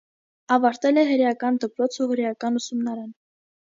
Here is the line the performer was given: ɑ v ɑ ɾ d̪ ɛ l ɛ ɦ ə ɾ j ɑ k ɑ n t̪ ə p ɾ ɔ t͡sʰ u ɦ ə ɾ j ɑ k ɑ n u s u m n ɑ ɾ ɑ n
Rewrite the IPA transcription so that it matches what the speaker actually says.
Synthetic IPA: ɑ v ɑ ɾ t̪ ɛ l ɛ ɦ ə ɾ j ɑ k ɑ n d̪ ə p ɾ ɔ t͡sʰ u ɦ ə ɾ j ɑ k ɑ n u s u m n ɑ ɾ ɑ n